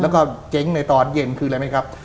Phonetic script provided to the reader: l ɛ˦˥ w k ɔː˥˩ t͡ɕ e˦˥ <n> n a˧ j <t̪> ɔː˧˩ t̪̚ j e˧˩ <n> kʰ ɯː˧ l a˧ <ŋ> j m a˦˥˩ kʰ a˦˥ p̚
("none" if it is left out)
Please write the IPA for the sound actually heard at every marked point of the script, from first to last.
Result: ŋ, t̪, n, none

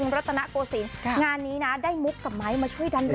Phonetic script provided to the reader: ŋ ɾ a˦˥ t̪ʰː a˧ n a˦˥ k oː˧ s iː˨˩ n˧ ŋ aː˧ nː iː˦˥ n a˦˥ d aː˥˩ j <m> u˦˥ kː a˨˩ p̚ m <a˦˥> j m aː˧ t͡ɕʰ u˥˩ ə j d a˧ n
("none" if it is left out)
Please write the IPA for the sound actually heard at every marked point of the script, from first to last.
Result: m, a˦˥

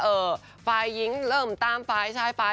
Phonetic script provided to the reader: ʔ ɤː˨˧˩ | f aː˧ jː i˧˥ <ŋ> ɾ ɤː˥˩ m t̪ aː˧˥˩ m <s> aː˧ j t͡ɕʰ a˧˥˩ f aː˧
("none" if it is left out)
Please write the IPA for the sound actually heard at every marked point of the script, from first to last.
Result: ŋ, f

